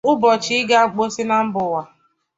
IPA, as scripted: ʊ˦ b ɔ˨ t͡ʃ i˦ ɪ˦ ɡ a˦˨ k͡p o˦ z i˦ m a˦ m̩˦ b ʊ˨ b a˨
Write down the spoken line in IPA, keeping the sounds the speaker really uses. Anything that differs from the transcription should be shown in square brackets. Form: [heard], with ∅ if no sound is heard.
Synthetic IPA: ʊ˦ b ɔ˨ t͡ʃ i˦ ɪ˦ ɡ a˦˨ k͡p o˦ [s] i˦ [n] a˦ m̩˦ b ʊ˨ [w] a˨

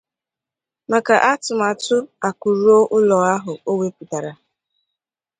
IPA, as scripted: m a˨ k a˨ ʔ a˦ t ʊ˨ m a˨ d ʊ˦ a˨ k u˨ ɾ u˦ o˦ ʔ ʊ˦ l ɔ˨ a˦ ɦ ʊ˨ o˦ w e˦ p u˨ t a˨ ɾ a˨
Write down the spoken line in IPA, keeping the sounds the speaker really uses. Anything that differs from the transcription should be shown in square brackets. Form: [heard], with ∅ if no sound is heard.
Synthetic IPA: m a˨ k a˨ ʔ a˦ t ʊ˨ m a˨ [t] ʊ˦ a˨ k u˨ ɾ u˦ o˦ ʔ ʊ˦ l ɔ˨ a˦ ɦ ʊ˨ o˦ w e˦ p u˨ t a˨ ɾ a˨

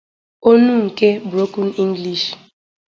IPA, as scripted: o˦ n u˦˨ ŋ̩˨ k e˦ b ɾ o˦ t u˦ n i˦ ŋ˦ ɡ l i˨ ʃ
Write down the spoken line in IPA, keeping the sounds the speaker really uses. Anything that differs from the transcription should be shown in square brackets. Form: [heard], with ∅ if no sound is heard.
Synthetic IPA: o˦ n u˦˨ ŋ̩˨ k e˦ b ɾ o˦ [k] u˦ n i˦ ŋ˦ ɡ l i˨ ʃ

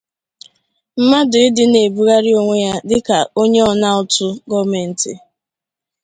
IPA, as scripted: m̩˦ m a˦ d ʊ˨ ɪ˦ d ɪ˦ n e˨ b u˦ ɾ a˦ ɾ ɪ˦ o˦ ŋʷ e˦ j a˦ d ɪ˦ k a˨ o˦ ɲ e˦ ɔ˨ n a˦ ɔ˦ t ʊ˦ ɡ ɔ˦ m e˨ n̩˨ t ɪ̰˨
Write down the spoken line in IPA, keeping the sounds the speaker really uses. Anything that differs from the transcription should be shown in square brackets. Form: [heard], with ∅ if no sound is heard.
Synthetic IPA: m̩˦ m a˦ d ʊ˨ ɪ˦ d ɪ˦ n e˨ b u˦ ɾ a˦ ɾ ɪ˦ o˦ ŋʷ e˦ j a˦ d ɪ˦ k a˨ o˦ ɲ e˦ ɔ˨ n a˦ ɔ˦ t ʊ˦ ɡ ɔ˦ m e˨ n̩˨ t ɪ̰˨

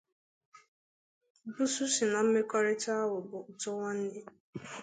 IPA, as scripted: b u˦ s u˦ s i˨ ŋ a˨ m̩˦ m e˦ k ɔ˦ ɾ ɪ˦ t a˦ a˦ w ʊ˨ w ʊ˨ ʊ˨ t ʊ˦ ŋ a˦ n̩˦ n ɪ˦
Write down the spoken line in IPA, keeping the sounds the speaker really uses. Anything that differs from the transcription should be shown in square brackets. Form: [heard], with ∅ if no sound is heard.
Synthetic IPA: b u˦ s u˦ s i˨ [n] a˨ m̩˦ m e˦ k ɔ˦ ɾ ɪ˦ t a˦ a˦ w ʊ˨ [b] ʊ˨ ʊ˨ t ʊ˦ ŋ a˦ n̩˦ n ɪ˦

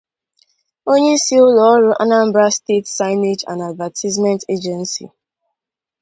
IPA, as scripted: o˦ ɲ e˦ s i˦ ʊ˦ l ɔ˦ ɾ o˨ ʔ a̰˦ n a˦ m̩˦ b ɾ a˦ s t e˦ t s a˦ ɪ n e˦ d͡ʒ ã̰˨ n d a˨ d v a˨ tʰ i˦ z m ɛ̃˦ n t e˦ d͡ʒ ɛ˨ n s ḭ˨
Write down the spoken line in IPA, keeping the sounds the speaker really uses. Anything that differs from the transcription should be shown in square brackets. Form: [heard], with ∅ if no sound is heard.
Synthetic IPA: o˦ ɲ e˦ s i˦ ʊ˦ l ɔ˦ ɾ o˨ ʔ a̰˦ n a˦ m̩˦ b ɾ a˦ s t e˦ t s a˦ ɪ n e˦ d͡ʒ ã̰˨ n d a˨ d v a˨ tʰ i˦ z m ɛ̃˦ n t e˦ d͡ʒ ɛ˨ n s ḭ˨

